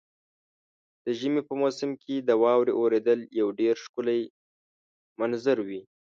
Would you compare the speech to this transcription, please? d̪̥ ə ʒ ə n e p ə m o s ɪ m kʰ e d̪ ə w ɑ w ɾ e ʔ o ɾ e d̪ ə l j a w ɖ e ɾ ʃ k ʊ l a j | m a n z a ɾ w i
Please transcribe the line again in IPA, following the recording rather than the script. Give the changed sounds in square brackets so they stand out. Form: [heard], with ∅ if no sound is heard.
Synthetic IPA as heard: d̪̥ ə ʒ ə [m] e p ə m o s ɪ m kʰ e d̪ ə w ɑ w ɾ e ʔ o ɾ e d̪ ə l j a w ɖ e ɾ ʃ k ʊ l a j | m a n z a ɾ w i